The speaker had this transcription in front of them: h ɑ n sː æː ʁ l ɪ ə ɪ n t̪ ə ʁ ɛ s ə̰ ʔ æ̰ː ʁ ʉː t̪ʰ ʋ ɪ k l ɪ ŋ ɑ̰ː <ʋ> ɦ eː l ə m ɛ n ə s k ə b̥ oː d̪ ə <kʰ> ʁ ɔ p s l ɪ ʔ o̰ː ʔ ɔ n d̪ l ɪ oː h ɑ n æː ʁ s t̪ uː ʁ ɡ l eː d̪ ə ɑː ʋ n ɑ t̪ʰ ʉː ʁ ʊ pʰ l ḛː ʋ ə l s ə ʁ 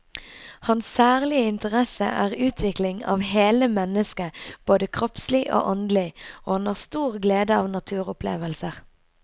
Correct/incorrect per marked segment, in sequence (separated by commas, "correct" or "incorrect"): correct, correct